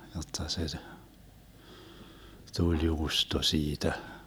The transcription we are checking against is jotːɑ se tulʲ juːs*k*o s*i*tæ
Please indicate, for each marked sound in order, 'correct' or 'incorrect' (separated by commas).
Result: incorrect, incorrect